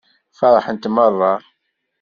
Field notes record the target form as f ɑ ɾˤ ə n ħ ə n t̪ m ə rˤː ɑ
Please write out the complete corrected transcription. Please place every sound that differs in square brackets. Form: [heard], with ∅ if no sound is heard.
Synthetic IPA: f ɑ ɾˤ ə [∅] ħ ə n t̪ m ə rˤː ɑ